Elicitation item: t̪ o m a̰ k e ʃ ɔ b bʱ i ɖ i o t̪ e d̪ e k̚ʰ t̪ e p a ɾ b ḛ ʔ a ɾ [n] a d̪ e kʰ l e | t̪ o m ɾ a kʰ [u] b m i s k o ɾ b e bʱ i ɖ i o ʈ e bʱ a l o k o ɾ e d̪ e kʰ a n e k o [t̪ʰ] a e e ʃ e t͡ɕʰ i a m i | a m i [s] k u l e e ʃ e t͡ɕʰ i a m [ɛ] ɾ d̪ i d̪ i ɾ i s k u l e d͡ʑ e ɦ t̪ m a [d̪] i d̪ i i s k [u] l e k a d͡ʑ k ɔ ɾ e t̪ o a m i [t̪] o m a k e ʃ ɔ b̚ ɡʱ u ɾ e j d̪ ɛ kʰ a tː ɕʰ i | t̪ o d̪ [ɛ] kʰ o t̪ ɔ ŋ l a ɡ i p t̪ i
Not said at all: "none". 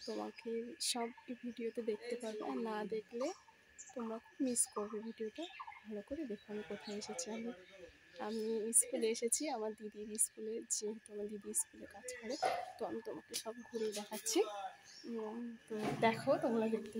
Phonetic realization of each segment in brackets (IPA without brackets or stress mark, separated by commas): n, u, t̪ʰ, s, a, d̪, u, t̪, ɛ